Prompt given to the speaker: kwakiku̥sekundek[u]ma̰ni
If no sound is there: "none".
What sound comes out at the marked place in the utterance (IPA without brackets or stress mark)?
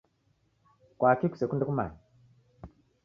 u